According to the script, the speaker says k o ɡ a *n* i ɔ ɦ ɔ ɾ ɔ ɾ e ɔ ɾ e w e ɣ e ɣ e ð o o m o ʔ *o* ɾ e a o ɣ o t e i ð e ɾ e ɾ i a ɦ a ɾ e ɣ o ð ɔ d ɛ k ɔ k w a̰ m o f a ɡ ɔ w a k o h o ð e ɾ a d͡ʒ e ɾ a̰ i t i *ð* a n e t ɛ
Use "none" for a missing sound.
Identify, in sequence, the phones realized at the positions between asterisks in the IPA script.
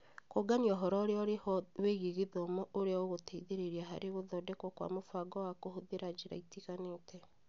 n, o, ɣ

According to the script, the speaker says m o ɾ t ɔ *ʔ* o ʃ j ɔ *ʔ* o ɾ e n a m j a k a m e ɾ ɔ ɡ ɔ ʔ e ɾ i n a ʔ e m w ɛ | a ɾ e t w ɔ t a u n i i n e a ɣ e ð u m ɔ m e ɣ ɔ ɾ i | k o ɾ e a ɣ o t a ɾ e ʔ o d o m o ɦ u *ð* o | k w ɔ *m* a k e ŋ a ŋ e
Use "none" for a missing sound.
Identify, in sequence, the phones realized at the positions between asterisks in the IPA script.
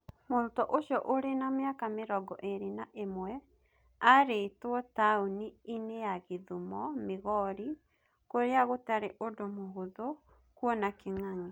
ʔ, ʔ, ð, n

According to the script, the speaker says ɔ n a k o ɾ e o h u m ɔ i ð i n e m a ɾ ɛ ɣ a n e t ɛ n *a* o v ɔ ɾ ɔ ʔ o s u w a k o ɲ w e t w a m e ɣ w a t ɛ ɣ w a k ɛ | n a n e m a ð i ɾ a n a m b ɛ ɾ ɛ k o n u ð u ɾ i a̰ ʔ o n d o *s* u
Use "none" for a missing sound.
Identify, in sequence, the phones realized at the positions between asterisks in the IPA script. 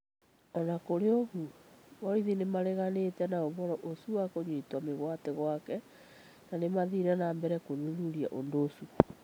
a, s

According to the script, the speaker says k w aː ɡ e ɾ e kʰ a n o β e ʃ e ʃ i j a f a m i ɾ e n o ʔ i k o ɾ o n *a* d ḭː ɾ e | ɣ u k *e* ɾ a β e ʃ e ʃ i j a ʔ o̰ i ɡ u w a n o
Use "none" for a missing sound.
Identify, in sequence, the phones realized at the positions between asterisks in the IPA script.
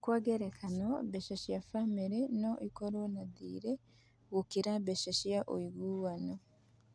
a, i

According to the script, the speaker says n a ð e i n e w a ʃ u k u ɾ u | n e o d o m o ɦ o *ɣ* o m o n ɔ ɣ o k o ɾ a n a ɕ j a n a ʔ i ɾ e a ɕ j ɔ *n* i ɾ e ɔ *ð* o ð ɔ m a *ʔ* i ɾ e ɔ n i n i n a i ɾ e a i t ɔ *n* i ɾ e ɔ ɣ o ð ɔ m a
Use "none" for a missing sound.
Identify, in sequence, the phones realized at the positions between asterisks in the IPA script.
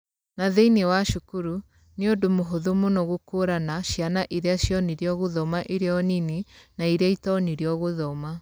ð, n, ɣ, ʔ, n

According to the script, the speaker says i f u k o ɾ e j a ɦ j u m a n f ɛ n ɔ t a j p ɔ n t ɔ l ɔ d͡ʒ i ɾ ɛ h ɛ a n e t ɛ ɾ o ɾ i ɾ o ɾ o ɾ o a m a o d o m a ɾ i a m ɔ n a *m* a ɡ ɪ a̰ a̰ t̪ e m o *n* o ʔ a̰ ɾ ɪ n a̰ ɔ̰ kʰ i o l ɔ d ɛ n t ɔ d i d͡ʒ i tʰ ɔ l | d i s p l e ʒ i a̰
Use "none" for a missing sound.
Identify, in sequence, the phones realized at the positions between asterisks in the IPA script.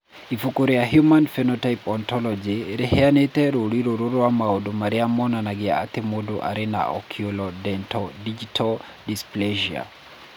n, d

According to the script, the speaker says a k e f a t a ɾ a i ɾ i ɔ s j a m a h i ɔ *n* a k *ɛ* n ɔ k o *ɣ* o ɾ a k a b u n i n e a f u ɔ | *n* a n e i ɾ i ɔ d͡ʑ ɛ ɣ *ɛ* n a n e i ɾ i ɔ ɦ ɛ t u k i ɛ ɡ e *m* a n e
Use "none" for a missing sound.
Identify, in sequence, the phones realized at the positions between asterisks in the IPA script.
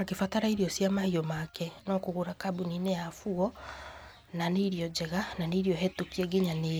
m, ɛ, ɣ, n, a, ɲ

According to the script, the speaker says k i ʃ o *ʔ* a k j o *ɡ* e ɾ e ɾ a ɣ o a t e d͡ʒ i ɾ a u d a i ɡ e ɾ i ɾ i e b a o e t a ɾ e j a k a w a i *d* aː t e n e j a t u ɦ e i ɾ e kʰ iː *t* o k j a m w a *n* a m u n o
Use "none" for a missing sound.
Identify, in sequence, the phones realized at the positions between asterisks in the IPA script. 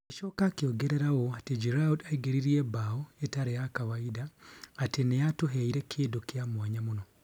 k, ɡ, d, d, ɲ

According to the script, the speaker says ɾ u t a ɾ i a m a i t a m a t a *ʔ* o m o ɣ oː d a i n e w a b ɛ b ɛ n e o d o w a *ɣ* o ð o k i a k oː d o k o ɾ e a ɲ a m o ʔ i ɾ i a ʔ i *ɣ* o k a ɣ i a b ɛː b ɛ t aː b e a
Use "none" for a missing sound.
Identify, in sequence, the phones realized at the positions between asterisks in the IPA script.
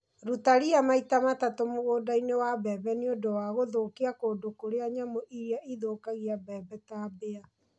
t, ɣ, ð

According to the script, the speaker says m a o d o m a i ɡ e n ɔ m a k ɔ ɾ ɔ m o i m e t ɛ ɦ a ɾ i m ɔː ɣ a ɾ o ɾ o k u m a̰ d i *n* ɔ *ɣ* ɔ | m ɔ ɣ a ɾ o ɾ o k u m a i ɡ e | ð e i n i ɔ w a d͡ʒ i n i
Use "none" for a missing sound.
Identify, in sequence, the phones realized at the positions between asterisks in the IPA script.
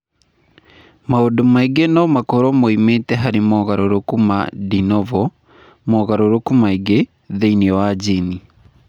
n, v

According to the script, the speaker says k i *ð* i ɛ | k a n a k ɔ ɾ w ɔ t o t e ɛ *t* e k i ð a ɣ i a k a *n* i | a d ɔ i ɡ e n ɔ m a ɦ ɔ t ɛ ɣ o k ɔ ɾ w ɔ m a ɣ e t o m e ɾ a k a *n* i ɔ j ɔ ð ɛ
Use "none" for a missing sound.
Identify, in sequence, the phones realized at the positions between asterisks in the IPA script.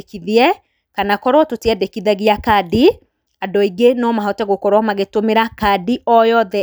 ð, d, d, d

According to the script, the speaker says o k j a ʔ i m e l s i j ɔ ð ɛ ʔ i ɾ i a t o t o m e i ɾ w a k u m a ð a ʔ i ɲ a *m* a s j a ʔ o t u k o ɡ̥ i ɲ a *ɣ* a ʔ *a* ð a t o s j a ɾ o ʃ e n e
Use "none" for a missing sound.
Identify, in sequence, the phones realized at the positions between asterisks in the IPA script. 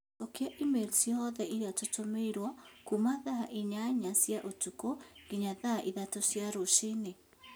ɲ, ð, i

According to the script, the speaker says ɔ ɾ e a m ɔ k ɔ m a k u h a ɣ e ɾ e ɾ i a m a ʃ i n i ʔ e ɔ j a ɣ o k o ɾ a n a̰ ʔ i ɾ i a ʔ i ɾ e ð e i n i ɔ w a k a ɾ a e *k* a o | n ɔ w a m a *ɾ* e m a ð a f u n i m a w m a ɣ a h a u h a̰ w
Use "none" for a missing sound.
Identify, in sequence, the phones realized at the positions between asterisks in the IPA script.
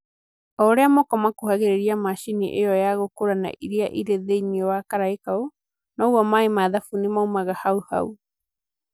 k, none

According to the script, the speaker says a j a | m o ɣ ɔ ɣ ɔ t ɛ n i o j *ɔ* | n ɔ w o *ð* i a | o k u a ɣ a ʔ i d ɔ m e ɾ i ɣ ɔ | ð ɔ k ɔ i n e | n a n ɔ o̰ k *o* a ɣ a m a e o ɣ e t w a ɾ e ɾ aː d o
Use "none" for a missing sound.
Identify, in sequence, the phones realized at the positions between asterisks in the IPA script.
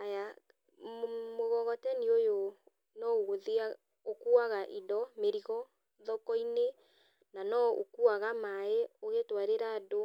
o, ð, u

